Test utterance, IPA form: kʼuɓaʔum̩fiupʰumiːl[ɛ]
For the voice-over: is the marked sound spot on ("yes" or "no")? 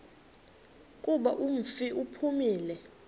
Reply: yes